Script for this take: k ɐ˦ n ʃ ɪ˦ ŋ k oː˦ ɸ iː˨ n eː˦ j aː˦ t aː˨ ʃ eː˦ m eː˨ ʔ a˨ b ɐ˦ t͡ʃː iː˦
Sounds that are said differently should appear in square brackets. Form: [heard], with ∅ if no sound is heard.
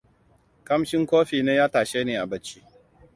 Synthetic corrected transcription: k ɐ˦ [m] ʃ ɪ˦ ŋ k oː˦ ɸ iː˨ n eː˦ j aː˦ t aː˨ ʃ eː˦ [n] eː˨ ʔ a˨ b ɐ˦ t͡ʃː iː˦